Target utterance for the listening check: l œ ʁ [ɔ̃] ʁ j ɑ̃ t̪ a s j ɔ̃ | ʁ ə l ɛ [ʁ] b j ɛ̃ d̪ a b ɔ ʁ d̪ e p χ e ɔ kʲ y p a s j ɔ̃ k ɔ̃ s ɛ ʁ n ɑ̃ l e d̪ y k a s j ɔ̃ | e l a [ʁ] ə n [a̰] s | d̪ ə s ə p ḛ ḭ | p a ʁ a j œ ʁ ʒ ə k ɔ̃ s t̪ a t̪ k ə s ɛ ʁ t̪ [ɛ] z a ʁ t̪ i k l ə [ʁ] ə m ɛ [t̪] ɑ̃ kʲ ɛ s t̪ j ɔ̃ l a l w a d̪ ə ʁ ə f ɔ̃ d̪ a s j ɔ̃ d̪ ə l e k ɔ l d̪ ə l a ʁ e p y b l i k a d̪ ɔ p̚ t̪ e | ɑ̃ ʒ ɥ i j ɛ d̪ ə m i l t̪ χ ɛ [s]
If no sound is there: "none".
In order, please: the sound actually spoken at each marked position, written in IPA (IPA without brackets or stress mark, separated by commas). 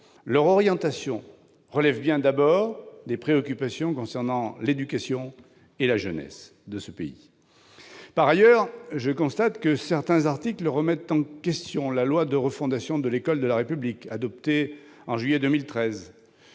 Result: ɔ, v, ʒ, ɛ̰, ɛ̃, ʁ, t̪, z